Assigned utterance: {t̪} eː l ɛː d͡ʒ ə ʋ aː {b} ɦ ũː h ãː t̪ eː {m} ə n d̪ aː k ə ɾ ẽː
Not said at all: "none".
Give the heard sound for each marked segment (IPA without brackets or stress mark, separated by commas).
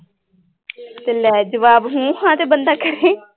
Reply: t̪, b, b